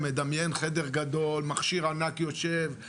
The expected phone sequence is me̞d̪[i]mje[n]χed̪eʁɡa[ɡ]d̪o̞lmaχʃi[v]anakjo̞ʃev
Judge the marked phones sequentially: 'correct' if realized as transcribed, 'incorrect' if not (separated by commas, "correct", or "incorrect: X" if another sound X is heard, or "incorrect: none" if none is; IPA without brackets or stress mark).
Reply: incorrect: a, correct, incorrect: none, incorrect: ʁ